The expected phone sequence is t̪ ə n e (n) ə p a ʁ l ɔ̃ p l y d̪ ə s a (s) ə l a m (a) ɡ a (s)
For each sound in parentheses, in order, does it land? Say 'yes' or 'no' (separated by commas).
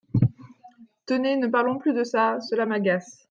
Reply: yes, yes, yes, yes